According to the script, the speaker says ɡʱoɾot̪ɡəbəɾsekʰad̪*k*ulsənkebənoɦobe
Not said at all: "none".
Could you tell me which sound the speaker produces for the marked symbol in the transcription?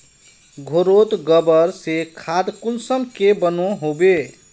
k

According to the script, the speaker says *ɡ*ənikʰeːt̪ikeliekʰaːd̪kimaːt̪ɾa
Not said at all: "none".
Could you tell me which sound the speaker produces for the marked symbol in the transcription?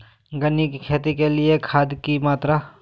ɡ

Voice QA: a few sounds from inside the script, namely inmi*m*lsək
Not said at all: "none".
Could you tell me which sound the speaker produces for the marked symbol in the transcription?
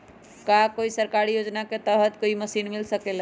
none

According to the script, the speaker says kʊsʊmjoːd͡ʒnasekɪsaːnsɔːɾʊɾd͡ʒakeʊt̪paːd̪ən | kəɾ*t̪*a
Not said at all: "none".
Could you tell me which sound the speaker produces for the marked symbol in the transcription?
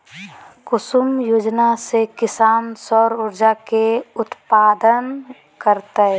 t̪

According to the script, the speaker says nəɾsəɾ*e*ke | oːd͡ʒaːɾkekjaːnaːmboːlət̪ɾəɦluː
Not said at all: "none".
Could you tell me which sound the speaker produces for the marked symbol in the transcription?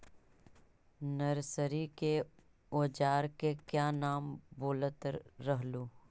i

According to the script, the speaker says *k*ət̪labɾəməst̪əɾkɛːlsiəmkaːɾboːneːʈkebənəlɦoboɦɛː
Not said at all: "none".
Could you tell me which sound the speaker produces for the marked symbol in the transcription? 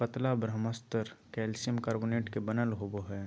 p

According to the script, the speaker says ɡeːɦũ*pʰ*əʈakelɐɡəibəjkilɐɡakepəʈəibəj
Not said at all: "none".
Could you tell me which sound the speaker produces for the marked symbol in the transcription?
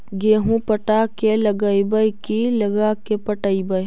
p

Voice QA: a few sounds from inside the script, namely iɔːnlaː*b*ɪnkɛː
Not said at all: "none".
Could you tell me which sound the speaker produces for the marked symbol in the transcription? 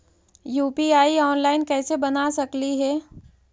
none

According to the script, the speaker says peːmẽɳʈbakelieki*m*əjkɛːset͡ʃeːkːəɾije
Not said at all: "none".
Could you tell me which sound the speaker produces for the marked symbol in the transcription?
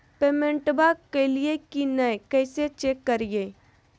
n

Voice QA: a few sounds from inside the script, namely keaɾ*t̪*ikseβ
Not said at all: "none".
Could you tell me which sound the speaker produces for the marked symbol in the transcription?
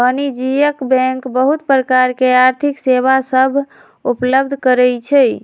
t̪ʰ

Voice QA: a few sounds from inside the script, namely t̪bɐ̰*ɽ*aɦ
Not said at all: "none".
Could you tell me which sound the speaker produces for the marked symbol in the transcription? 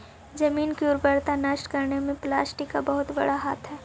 ɽ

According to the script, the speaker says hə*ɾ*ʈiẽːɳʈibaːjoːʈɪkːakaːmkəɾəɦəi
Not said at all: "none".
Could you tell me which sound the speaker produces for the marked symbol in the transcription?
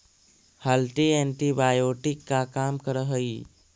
l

